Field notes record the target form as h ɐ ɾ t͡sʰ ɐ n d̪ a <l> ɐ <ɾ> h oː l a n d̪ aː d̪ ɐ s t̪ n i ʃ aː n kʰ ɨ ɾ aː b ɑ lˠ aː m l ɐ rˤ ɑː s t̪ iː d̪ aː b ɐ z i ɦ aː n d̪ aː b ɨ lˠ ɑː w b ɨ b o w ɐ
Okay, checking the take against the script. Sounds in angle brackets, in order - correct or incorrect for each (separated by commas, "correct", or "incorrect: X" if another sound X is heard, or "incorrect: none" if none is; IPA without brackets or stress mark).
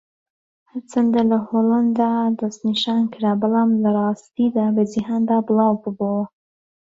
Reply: correct, incorrect: none